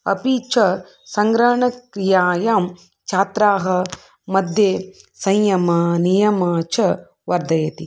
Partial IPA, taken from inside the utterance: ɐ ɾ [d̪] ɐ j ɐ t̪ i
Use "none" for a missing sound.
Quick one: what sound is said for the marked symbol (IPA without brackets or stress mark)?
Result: d̪